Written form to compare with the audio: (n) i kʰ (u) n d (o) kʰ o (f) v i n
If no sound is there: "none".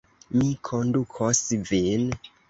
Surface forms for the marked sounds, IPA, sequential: m, o, u, s

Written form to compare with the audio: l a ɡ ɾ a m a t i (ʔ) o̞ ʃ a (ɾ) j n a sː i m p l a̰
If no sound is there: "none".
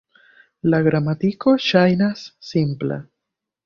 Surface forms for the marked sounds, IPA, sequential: k, none

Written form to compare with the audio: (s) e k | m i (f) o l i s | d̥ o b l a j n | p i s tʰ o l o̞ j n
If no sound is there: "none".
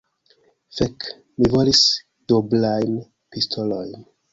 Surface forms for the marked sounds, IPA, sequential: f, v

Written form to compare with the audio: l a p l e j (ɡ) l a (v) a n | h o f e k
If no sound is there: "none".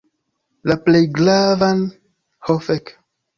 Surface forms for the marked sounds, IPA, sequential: ɡ, v

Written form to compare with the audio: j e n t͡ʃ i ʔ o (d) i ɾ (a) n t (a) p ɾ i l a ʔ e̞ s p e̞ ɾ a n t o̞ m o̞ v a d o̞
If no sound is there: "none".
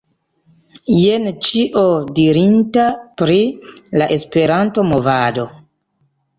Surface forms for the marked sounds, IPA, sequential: d, i, a

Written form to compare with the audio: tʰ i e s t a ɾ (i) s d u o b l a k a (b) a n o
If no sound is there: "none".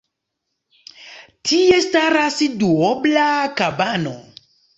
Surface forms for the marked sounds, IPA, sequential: a, b

